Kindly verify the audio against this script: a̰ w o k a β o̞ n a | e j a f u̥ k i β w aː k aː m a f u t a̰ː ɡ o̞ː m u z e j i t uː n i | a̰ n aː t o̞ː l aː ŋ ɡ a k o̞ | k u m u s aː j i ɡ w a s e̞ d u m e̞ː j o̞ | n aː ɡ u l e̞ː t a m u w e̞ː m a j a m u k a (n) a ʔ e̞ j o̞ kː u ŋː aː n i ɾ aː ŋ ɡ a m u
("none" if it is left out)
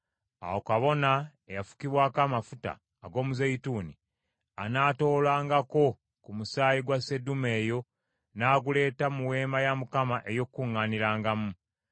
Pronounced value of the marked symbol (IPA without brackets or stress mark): m